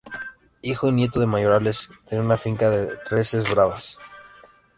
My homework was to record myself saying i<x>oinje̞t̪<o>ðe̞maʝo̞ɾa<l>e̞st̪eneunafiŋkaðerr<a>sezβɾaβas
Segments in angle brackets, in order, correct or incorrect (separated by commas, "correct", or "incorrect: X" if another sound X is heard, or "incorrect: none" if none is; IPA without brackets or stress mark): correct, correct, correct, incorrect: e